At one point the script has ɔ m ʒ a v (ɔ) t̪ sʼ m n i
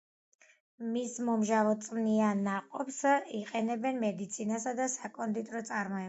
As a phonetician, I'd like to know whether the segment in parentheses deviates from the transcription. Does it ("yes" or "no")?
no